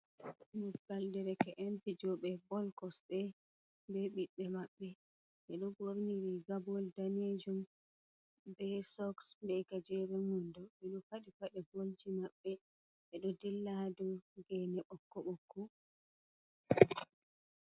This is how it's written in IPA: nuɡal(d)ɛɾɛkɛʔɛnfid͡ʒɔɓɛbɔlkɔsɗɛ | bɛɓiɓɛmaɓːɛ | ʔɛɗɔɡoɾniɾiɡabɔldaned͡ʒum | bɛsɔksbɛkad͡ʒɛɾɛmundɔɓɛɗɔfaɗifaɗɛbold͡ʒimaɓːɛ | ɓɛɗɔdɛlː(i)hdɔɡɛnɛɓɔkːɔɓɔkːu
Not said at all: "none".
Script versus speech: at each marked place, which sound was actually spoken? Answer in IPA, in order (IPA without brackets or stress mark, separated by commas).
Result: d, a